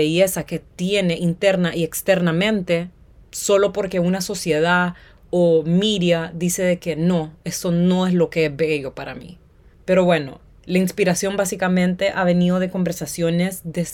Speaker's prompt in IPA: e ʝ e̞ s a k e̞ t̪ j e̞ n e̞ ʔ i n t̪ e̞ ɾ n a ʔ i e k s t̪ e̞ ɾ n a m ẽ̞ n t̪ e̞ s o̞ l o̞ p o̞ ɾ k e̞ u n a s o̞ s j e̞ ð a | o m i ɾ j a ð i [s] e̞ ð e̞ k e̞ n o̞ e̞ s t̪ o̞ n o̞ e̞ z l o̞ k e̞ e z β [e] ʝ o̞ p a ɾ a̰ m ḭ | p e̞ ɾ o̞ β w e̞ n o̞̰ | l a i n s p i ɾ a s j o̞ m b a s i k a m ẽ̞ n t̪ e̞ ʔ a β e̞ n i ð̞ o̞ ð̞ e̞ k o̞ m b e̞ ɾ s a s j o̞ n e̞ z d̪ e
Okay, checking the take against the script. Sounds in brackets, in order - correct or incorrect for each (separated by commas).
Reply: correct, correct